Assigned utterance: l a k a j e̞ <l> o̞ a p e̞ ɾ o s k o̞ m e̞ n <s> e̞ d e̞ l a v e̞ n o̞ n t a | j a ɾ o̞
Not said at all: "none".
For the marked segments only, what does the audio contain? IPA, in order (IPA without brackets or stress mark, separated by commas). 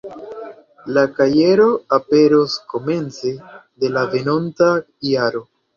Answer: ɾ, t͡s